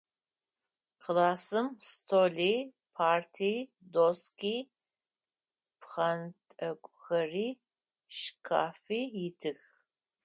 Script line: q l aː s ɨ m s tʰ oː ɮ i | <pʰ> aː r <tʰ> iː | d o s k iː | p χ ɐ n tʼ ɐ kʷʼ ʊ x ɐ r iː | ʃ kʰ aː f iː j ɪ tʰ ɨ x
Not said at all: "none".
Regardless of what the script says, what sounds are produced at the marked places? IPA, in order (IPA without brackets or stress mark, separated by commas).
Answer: pʰ, tʰ